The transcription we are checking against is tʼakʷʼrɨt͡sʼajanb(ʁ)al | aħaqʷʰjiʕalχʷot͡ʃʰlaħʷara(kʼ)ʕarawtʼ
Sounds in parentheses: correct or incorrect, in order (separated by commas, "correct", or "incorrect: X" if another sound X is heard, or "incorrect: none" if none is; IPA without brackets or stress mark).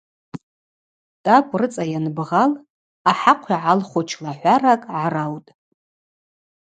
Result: correct, correct